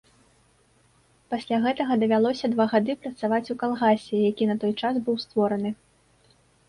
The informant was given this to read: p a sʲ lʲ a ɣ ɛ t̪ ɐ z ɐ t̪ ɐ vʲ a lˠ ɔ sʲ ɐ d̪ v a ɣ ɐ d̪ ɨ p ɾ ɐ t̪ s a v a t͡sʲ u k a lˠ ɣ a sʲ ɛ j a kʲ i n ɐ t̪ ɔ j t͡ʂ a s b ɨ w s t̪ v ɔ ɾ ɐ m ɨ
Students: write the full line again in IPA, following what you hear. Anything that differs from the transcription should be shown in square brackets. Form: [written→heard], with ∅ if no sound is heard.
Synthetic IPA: p a sʲ lʲ a ɣ ɛ t̪ ɐ [z→ɣ] ɐ [t̪→d̪] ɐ vʲ a lˠ ɔ sʲ ɐ d̪ v a ɣ [ɐ→a] d̪ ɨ p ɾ ɐ t̪ s a v a t͡sʲ u k a lˠ ɣ a sʲ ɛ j a kʲ i n ɐ t̪ ɔ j t͡ʂ a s b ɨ w s t̪ v ɔ ɾ ɐ [m→n] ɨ

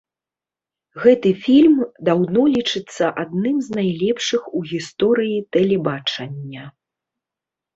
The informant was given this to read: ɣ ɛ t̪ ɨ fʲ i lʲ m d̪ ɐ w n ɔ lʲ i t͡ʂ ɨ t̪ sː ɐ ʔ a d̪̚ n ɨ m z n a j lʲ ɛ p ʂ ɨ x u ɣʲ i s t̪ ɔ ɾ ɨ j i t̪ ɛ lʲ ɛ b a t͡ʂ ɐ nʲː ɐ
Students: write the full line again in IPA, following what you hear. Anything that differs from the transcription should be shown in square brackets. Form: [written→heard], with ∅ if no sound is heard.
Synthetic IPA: ɣ ɛ t̪ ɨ fʲ i lʲ m d̪ [ɐ→a] w n ɔ lʲ i t͡ʂ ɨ t̪ sː ɐ ʔ a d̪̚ n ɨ m z n a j lʲ ɛ p ʂ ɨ x u ɣʲ i s t̪ ɔ ɾ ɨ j i t̪ ɛ lʲ ɛ b a t͡ʂ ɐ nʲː ɐ

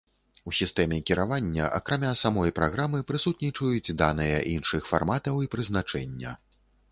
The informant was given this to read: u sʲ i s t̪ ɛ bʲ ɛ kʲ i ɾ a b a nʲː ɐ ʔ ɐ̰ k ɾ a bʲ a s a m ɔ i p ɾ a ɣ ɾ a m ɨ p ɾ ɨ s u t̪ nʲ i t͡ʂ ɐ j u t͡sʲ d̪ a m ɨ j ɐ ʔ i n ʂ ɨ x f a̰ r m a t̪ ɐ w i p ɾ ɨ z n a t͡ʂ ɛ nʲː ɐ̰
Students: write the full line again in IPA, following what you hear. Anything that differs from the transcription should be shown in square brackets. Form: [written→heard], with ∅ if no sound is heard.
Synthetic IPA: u sʲ i s t̪ ɛ [bʲ→mʲ] ɛ kʲ i ɾ a [b→v] a nʲː ɐ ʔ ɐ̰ k ɾ a [bʲ→mʲ] a s a m ɔ [i→j] p ɾ a ɣ ɾ a m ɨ p ɾ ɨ s u t̪ nʲ i t͡ʂ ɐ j u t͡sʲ d̪ a [m→n] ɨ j ɐ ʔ i n ʂ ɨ x f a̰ r m a t̪ ɐ w i p ɾ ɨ z n a t͡ʂ ɛ nʲː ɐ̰

